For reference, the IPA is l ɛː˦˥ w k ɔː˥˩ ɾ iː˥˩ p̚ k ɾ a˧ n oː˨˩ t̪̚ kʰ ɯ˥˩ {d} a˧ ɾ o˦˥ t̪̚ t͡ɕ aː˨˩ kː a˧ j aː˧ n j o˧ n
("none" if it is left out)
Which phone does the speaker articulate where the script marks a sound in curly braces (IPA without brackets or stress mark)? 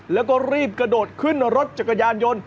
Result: n